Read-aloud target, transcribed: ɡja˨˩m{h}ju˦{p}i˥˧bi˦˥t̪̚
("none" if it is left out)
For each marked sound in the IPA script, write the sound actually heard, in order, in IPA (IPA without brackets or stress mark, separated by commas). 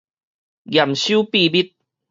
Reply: ɕ, p